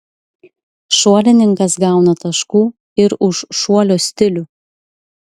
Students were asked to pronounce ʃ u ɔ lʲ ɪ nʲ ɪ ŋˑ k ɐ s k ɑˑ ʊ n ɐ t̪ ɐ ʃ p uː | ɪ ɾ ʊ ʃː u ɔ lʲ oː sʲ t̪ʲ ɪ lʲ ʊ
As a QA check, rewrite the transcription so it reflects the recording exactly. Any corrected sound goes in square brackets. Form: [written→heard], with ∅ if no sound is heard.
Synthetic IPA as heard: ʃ u ɔ lʲ ɪ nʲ ɪ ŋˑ k ɐ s [k→ɡ] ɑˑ ʊ n ɐ t̪ ɐ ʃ [p→k] uː | ɪ ɾ ʊ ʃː u ɔ lʲ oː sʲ t̪ʲ ɪ lʲ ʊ